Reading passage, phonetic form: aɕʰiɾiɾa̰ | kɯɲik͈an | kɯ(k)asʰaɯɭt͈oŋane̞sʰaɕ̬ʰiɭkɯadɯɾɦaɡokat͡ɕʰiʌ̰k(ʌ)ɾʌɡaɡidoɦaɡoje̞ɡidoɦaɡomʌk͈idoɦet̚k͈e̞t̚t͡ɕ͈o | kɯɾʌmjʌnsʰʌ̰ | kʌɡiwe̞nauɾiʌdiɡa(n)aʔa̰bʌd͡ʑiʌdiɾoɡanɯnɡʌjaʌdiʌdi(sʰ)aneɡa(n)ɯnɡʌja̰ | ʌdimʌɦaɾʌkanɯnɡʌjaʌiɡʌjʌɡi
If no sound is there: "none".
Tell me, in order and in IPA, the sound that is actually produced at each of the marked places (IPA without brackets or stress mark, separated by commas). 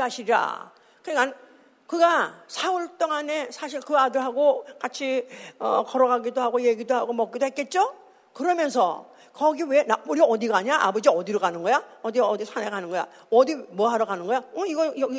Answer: ɡ, ʌ, ɲ, sʰ, n